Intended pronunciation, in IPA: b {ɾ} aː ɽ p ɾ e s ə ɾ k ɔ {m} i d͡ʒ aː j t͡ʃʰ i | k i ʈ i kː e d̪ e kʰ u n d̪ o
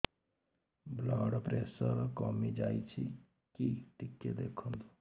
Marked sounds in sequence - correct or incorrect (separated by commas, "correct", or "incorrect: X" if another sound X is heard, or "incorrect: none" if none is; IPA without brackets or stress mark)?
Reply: incorrect: l, correct